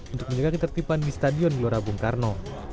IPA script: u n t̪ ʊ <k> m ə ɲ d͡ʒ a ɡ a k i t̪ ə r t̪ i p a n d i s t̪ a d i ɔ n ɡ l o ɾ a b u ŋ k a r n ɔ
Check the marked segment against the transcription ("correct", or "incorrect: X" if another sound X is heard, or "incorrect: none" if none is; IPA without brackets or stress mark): correct